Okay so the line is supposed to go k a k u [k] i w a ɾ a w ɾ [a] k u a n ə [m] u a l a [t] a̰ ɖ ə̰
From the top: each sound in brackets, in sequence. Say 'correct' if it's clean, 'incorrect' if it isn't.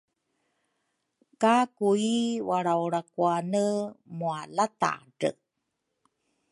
incorrect: none, correct, correct, correct

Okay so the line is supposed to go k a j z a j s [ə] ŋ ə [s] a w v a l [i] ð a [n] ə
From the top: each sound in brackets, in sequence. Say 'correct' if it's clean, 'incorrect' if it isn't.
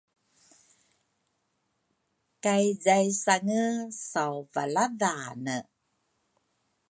incorrect: a, correct, incorrect: a, correct

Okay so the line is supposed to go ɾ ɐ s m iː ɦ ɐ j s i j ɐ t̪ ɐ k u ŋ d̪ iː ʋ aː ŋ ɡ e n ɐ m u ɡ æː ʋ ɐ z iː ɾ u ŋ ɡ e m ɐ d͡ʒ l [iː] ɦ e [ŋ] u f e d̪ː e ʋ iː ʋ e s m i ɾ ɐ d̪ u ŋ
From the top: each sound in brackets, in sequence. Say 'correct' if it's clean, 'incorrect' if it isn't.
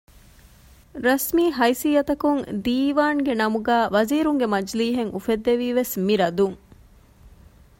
correct, correct

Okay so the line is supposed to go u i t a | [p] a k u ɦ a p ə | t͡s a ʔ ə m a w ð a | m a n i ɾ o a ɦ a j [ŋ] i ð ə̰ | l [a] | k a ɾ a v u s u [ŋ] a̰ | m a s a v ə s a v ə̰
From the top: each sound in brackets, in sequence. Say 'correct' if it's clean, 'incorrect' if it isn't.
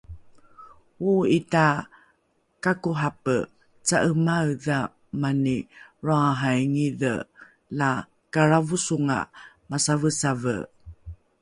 incorrect: k, correct, correct, correct

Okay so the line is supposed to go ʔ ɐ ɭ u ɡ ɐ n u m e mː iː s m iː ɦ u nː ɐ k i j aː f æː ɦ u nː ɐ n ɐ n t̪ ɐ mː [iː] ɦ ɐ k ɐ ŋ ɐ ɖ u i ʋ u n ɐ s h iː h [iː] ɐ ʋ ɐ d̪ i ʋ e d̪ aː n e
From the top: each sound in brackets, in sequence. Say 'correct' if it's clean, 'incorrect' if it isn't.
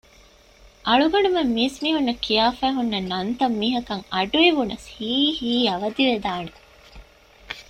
correct, correct

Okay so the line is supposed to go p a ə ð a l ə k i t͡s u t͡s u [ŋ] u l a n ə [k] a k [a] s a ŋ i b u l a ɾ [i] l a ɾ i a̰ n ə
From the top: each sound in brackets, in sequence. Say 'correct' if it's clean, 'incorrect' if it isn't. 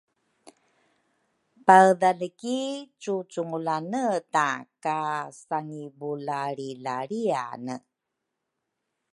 correct, incorrect: t, correct, correct

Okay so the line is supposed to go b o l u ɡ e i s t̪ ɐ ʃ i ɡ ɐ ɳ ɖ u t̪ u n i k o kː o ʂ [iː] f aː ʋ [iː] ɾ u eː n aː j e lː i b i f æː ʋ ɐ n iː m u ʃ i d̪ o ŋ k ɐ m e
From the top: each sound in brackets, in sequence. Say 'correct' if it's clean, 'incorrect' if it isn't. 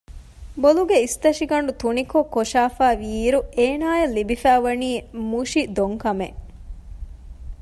incorrect: aː, correct

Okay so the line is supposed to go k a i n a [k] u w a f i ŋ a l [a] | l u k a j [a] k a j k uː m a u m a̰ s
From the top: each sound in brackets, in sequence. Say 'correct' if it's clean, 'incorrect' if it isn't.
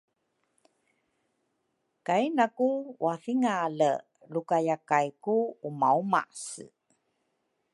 correct, incorrect: ə, correct

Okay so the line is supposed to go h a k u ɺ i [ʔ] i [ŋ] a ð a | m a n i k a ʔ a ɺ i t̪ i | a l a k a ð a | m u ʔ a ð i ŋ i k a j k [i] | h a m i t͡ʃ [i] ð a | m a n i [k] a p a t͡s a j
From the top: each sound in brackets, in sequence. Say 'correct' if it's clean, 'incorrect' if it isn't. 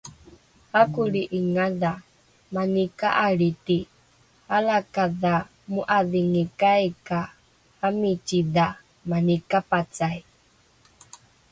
correct, correct, incorrect: a, correct, correct

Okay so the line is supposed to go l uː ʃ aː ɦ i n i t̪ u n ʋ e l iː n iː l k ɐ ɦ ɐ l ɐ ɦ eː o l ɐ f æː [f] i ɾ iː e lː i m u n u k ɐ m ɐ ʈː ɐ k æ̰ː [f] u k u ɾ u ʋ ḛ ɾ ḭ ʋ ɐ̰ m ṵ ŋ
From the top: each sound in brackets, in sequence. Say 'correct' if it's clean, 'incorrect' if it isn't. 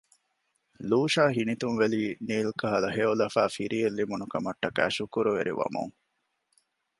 correct, incorrect: ʃ

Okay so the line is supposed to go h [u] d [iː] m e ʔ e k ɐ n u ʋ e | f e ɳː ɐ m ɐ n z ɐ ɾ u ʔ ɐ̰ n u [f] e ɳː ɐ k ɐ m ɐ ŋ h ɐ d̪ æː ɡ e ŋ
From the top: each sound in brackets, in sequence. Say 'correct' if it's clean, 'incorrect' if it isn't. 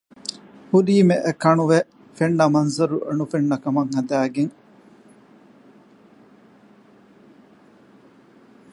correct, correct, correct

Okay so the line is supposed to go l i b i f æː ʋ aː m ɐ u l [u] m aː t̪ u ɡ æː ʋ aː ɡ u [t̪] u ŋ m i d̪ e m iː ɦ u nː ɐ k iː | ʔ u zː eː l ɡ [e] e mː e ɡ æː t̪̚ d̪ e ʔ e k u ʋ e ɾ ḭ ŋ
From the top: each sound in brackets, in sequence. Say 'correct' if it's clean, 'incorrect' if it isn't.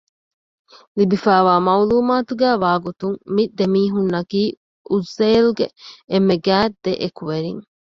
incorrect: uː, correct, correct

